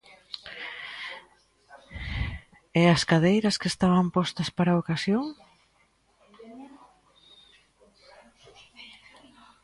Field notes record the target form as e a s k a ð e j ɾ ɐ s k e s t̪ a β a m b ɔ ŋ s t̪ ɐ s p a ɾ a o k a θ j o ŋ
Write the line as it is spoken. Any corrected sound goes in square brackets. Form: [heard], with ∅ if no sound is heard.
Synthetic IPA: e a s k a ð e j ɾ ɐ s k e s t̪ a β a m [p] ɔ [∅] s t̪ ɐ s p a ɾ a o k a [s] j o ŋ